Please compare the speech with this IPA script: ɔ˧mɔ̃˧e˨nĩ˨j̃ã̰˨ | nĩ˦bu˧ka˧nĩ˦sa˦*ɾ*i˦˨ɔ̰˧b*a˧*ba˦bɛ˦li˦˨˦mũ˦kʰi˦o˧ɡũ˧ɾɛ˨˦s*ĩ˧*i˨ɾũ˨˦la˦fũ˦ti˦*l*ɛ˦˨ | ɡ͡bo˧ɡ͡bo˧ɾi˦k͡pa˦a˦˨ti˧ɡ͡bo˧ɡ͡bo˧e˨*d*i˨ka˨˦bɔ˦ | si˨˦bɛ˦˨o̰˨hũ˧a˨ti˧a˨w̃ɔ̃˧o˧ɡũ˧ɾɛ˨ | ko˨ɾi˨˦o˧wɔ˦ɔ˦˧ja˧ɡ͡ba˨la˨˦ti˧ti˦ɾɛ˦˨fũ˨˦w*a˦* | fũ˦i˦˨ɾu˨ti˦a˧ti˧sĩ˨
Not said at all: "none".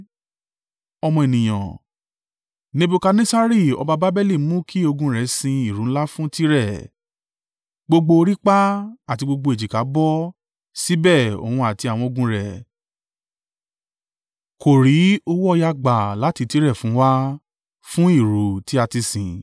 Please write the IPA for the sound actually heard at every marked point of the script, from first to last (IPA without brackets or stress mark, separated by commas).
ɾ, a˧, ĩ˧, ɾ, d͡ʒ, a˦